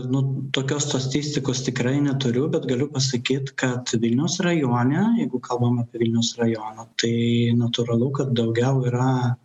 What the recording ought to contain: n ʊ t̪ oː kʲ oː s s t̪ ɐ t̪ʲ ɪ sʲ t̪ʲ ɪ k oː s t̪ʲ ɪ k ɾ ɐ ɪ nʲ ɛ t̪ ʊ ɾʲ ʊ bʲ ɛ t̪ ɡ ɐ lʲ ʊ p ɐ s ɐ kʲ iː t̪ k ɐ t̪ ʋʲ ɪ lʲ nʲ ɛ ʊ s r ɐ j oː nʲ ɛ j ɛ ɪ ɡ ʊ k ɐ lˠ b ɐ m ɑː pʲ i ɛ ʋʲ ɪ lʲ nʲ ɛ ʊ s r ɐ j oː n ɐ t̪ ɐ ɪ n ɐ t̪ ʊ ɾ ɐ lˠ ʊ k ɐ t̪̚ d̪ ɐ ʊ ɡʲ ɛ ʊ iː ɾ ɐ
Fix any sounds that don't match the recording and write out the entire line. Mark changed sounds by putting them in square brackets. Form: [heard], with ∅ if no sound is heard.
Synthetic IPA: n ʊ t̪ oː kʲ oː s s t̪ ɐ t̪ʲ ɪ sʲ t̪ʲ ɪ k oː s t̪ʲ ɪ k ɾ ɐ ɪ nʲ ɛ t̪ ʊ ɾʲ ʊ bʲ ɛ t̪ ɡ ɐ lʲ ʊ p ɐ s ɐ kʲ iː t̪ k ɐ t̪ ʋʲ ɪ lʲ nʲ ɛ ʊ s r ɐ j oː nʲ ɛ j ɛ ɪ ɡ ʊ k ɐ lˠ b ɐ m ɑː pʲ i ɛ ʋʲ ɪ lʲ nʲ ɛ ʊ s r ɐ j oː n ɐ t̪ ɐ ɪ n ɐ t̪ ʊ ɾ ɐ lˠ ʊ k ɐ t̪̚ d̪ ɐ ʊ ɡʲ ɛ ʊ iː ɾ ɐ